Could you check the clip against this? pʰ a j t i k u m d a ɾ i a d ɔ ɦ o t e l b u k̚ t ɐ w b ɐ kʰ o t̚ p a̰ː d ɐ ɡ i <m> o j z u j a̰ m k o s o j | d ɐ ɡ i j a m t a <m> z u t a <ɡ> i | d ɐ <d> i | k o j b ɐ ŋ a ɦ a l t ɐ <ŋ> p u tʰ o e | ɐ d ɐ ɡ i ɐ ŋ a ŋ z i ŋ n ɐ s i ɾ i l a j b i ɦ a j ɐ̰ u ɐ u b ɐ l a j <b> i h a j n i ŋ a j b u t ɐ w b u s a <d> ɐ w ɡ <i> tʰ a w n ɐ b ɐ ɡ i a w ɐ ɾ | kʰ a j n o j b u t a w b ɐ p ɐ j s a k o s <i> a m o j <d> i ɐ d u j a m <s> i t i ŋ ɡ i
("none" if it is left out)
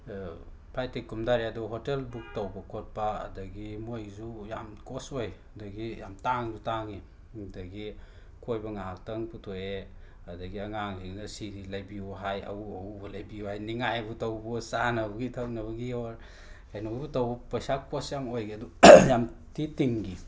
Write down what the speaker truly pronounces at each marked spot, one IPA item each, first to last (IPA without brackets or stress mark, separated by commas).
m, ŋ, ŋ, ɡ, ŋ, b, n, i, j, ɡ, t